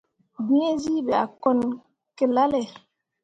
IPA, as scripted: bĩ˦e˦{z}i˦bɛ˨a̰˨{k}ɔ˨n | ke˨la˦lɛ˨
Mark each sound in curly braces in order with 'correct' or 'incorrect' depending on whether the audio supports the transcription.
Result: correct, correct

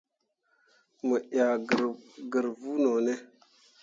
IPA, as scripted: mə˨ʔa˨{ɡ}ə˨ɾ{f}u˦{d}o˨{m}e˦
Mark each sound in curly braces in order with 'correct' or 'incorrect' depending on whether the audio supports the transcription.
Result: correct, incorrect, incorrect, incorrect

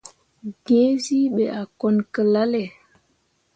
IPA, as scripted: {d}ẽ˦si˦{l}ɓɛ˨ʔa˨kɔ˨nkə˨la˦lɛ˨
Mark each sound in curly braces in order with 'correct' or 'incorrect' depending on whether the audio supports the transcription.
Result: incorrect, incorrect

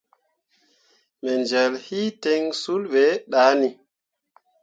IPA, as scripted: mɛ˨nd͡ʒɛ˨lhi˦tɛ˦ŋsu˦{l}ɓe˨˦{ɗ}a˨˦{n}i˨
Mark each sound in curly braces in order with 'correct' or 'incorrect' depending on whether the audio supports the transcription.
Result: correct, correct, correct

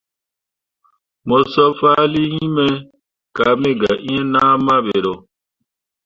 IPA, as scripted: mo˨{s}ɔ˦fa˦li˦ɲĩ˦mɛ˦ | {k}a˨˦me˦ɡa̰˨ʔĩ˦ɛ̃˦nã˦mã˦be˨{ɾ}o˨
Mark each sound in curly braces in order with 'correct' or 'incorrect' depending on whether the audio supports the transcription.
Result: correct, correct, correct

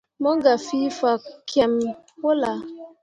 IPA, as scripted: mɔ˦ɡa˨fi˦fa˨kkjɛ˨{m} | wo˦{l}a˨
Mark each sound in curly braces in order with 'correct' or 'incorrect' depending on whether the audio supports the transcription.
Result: correct, correct

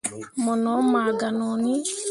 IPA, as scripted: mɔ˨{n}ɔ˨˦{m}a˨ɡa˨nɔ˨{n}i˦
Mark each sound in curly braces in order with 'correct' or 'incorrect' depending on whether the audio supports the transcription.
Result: correct, correct, correct

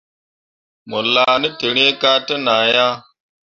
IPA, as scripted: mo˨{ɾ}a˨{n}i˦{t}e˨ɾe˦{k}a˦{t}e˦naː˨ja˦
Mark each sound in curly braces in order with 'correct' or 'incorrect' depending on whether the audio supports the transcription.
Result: incorrect, correct, correct, correct, correct

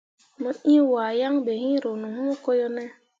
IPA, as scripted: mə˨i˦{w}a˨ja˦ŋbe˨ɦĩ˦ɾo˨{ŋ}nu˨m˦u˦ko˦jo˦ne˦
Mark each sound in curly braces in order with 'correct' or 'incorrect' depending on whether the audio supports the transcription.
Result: correct, incorrect

